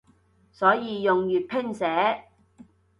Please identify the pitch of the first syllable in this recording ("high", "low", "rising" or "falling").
rising